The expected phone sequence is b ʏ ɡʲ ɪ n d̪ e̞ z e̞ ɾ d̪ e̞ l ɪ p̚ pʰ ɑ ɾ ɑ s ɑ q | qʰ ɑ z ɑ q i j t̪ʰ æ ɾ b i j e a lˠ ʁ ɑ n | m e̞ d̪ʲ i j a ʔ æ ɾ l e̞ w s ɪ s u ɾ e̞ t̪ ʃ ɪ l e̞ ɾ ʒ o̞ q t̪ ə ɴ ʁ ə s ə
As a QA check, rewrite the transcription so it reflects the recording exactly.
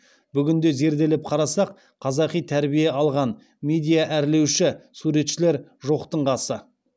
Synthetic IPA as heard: b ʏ ɡʲ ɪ n d̪ e̞ z e̞ ɾ d̪ e̞ l ɪ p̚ qʰ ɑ ɾ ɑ s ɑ q | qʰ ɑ z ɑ q i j t̪ʰ æ ɾ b i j e ɑ lˠ ʁ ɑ n | m e̞ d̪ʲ i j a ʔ æ ɾ l e̞ w ʃ ɪ s u ɾ e̞ t̪ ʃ ɪ l e̞ ɾ ʒ o̞ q t̪ ə ɴ ʁ ɑ s ə

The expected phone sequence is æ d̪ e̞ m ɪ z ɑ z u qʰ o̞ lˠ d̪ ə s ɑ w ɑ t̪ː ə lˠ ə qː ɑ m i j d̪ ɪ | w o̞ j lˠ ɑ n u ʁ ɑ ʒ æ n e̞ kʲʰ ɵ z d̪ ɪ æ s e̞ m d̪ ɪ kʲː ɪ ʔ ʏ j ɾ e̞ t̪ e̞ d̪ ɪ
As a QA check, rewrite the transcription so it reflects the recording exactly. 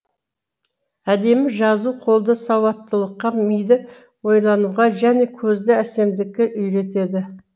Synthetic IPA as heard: æ d̪ e̞ m ɪ ʒ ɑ z u qʰ o̞ lˠ d̪ ə s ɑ w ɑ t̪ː ə lˠ ə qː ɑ m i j d̪ ɪ | w o̞ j lˠ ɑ n u ʁ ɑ ʒ æ n e̞ kʲʰ ɵ z d̪ ɪ æ s e̞ m d̪ ɪ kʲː ɪ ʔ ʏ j ɾ e̞ t̪ e̞ d̪ ɪ

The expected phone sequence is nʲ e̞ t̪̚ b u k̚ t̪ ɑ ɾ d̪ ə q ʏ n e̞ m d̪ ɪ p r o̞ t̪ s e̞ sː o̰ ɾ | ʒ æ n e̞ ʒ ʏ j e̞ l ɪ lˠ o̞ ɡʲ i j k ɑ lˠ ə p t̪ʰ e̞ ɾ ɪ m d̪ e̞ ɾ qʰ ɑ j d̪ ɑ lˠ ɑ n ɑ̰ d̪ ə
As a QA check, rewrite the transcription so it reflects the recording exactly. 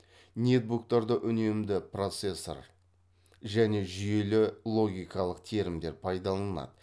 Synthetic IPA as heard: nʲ e̞ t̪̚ b u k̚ t̪ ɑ ɾ d̪ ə ʔ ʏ n e̞ m d̪ ɪ p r o̞ t̪ s e̞ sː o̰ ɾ | ʒ æ n e̞ ʒ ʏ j e̞ l ɪ lˠ o̞ ɡʲ i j k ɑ lˠ ə q t̪ʰ e̞ ɾ ɪ m d̪ e̞ ɾ pʰ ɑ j d̪ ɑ lˠ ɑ n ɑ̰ d̪ ə

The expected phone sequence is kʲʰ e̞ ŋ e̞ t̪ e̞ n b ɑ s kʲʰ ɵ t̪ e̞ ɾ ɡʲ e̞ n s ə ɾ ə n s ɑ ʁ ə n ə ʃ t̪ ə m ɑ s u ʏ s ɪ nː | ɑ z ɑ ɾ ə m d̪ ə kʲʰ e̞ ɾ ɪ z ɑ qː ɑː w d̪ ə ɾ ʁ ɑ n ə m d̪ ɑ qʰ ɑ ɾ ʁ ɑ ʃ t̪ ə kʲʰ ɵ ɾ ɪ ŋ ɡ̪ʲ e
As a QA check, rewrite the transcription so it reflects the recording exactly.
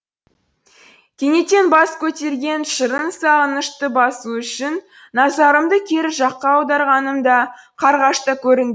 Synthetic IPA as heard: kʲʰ e̞ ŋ e̞ t̪ e̞ n b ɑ s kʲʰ ɵ t̪ e̞ ɾ ɡʲ e̞ n ʃ ə ɾ ə n s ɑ ʁ ə n ə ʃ t̪ ə b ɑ s u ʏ ʃ ɪ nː | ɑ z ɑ ɾ ə m d̪ ə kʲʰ e̞ ɾ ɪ ʒ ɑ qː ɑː w d̪ ɑ ɾ ʁ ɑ n ə m d̪ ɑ qʰ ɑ ɾ ʁ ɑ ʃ t̪ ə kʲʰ ɵ ɾ ɪ ŋ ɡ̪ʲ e

